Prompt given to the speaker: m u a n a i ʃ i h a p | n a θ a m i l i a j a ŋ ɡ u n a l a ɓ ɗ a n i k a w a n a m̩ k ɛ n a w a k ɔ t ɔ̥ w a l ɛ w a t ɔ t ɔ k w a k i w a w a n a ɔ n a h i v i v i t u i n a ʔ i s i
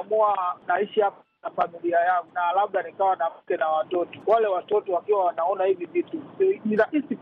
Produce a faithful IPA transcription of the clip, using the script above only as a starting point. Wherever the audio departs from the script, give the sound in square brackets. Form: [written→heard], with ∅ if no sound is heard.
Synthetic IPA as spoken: m u a n a i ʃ i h a p | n a [θ→f] a m i l i a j a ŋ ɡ u n a l a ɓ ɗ a n i k a w a n a m̩ k ɛ n a w a [k→t] ɔ t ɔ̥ w a l ɛ w a t ɔ t ɔ [k→∅] w a k i w a w a n a ɔ n a h i v i v i t u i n a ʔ i s i